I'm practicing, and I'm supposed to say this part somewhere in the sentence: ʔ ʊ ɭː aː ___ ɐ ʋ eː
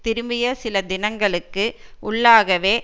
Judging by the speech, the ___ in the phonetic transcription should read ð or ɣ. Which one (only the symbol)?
ɣ